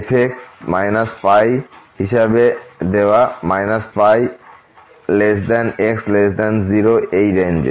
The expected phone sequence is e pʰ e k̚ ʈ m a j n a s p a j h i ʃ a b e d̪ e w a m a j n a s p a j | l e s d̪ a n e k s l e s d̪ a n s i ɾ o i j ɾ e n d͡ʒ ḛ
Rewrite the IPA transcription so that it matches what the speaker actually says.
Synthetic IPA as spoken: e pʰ e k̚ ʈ m a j n a s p a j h i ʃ a b e d̪ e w a m a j n a s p a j | l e s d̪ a n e k s l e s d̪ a n z i ɾ o e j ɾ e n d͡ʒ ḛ